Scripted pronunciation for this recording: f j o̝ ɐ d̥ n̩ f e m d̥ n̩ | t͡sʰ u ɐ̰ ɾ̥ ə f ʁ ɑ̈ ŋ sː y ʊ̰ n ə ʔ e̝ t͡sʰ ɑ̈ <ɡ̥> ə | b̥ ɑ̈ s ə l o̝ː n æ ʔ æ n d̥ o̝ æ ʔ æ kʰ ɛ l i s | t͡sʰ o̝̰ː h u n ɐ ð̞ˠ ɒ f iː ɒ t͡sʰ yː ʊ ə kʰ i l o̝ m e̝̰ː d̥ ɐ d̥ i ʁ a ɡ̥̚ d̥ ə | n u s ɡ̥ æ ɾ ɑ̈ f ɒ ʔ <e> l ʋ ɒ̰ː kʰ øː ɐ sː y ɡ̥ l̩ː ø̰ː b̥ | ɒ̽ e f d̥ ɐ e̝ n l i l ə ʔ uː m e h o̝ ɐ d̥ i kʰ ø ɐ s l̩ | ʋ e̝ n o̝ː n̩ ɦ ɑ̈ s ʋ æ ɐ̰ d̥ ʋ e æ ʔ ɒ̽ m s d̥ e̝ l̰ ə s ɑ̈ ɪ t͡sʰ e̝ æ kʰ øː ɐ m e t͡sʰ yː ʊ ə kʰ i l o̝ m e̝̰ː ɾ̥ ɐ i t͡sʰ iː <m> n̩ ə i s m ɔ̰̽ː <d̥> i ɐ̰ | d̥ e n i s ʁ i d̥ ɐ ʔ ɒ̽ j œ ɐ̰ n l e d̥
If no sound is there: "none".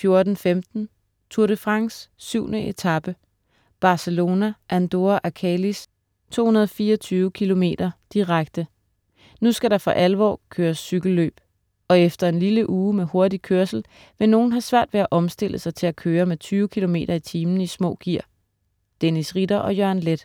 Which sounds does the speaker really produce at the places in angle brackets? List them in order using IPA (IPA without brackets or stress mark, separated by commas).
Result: b̥, æ, m, ɡ̥